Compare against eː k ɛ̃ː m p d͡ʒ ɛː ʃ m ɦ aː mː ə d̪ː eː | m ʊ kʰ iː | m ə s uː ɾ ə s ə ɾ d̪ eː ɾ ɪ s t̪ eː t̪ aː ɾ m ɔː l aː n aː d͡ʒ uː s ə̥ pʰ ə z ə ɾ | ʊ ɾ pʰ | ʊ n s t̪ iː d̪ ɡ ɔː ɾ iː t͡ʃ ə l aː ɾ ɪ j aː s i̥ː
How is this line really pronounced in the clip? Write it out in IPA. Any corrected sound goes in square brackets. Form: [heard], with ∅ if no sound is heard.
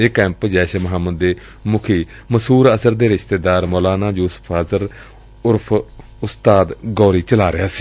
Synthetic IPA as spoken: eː k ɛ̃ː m p d͡ʒ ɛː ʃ m ɦ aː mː ə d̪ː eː | m ʊ kʰ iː | m ə s uː ɾ ə s ə ɾ d̪ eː ɾ ɪ [ʃ] t̪ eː [d̪] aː ɾ m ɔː l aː n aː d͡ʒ uː s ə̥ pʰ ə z ə ɾ | ʊ ɾ pʰ | ʊ [∅] s t̪ [aː] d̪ ɡ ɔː ɾ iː t͡ʃ ə l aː ɾ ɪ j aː s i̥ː